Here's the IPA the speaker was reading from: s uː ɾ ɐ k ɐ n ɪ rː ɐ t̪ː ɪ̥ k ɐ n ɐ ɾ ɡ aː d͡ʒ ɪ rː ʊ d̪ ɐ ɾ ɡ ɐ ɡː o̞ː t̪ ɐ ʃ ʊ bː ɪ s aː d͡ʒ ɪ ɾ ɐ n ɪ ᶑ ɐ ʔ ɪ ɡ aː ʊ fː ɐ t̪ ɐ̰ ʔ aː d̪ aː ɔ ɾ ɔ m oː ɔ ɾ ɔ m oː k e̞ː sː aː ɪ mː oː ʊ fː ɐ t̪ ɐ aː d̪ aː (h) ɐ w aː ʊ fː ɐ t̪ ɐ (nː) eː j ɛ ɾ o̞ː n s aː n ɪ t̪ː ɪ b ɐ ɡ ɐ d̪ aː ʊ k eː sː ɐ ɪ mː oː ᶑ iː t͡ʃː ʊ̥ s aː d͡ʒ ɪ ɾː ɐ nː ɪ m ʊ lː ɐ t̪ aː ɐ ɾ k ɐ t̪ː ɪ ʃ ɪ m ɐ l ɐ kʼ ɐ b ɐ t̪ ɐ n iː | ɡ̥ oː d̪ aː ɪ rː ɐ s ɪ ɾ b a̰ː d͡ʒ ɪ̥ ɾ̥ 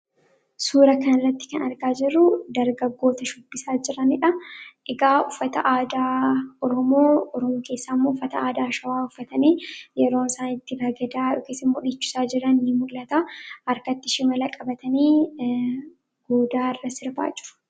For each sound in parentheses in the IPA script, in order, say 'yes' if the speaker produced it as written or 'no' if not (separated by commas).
no, no